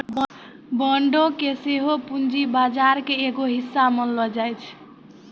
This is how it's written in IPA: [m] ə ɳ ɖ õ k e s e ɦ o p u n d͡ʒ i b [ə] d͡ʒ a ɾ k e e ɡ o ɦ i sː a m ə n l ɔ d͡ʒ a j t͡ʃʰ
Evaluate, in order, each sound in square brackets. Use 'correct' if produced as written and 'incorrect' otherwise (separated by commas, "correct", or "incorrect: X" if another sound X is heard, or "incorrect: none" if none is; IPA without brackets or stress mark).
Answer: incorrect: b, incorrect: a